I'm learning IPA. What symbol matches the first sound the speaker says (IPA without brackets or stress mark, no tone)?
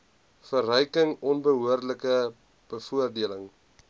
f